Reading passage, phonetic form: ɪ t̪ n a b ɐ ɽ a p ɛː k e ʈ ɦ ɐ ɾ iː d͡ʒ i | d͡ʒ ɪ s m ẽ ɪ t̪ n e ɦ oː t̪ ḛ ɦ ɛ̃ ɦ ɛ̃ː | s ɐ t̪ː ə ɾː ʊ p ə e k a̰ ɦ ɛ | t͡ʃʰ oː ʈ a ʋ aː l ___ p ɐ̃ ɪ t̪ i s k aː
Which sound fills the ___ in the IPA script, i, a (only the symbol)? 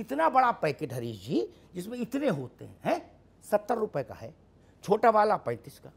a